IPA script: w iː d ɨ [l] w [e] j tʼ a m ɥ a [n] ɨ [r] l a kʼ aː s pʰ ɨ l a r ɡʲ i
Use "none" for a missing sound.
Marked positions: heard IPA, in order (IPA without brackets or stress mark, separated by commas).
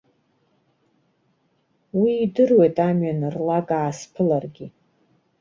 r, e, n, r